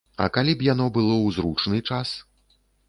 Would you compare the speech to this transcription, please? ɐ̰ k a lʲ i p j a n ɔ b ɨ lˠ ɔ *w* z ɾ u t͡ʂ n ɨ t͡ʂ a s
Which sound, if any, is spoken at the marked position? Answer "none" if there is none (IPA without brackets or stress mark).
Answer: w